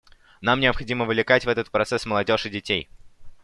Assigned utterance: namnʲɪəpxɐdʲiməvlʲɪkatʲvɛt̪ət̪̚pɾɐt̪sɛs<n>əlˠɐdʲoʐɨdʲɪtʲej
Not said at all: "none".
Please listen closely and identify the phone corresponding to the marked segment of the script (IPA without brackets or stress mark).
m